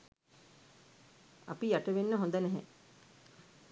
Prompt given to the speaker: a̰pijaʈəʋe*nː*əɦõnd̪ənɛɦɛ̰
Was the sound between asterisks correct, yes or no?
yes